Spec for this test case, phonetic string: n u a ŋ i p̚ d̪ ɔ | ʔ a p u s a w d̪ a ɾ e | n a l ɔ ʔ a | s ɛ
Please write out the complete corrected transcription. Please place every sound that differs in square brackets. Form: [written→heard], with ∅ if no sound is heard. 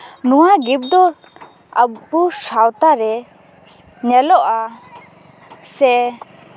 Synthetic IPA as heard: n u a [ŋ→ɡ] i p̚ d̪ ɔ | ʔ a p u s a w [d̪→t̪] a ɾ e | [n→ɲ] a l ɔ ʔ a | s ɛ